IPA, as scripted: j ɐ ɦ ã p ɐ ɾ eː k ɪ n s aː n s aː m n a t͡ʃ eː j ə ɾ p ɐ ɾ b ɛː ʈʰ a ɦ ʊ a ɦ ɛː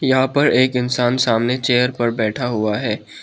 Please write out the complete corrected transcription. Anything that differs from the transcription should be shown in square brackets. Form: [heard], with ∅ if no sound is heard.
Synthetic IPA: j ɐ ɦ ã p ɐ ɾ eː k ɪ n s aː n s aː m n [e] t͡ʃ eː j ə ɾ p ɐ ɾ b ɛː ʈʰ a ɦ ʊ a ɦ ɛː